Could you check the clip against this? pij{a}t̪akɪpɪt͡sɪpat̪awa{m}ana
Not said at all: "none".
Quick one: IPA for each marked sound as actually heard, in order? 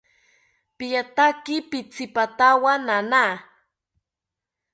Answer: a, n

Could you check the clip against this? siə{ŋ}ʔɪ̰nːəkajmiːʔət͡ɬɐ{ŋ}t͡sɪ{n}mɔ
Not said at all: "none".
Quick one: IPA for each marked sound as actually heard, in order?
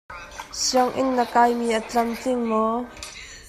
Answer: ŋ, m, ŋ

